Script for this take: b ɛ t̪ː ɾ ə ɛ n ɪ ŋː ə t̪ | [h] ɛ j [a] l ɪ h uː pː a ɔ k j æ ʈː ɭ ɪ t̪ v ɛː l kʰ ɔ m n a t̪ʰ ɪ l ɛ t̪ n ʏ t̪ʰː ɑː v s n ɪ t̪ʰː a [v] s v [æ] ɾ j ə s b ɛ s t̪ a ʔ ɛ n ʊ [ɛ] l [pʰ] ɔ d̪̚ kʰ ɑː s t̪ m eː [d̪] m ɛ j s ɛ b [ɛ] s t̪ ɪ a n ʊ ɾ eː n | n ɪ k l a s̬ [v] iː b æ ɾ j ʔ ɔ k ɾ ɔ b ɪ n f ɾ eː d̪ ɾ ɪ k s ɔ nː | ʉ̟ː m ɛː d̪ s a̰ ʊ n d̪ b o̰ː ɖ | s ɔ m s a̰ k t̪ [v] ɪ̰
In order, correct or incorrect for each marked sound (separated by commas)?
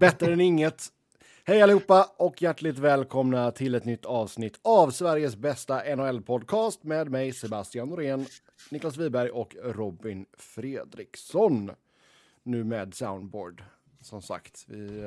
correct, correct, correct, correct, correct, correct, correct, incorrect, correct, correct